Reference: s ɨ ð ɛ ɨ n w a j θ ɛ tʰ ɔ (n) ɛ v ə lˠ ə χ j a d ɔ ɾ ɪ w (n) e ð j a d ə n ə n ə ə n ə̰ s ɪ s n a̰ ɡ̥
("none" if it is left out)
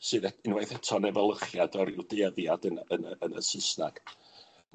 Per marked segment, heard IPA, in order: n, d

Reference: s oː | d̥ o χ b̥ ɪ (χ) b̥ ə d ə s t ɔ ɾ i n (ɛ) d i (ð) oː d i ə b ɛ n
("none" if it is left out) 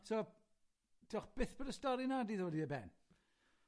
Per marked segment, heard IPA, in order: θ, a, ð

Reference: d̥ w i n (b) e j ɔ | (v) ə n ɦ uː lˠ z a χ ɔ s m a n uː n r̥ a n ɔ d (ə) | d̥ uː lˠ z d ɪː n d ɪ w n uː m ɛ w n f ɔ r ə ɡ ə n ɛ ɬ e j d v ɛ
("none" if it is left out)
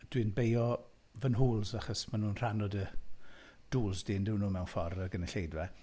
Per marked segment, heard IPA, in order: b, v, ə

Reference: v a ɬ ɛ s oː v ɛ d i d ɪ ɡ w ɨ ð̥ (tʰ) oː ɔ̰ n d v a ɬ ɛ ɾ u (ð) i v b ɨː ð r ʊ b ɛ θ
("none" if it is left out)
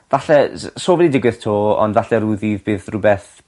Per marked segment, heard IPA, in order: tʰ, ð

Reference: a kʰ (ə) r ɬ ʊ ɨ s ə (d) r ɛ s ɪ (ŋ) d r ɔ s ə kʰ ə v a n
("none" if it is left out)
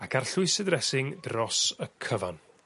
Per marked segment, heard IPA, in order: a, d, ŋ

